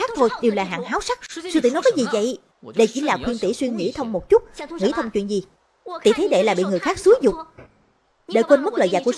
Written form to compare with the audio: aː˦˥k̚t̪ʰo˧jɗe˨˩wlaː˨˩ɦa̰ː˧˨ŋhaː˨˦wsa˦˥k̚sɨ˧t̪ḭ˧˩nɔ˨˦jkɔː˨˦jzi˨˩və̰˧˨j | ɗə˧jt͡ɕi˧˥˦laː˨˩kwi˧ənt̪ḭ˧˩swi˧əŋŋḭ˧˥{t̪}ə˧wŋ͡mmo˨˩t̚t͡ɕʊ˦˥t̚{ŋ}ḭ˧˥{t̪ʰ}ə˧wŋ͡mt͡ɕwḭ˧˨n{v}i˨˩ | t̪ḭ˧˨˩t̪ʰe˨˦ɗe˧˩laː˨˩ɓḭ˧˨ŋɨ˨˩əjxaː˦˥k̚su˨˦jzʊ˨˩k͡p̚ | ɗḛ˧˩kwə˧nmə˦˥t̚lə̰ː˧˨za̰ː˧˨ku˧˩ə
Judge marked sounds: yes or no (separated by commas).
no, yes, yes, no